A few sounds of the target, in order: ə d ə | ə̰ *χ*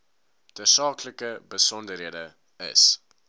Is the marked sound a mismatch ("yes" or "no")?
yes